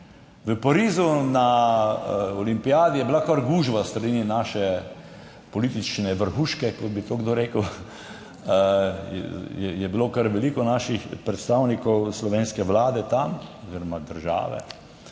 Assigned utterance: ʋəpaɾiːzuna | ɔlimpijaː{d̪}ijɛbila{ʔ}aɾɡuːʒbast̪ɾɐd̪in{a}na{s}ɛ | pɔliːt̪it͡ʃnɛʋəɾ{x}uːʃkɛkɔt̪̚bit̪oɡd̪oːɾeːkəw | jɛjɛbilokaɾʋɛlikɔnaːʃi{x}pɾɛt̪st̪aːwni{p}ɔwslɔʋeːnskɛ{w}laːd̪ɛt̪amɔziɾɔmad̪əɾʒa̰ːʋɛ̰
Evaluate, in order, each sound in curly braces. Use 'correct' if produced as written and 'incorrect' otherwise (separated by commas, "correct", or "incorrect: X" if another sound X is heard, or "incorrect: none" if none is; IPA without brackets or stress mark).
correct, incorrect: k, incorrect: i, incorrect: ʃ, correct, correct, incorrect: k, incorrect: ʋ